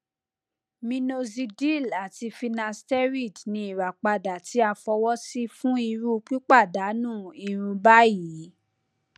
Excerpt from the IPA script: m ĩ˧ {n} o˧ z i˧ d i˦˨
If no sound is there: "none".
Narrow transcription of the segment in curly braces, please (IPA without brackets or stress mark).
n